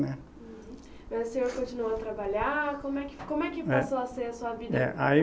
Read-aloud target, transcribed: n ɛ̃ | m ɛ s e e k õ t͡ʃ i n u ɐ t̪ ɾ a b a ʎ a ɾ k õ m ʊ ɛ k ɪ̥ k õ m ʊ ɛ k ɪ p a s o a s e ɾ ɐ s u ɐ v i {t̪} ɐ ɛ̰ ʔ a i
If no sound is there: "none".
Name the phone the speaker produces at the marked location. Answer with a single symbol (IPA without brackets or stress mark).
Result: d̪